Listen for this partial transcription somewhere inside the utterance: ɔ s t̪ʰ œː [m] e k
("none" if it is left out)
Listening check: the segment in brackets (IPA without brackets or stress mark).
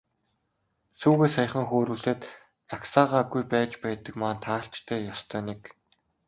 n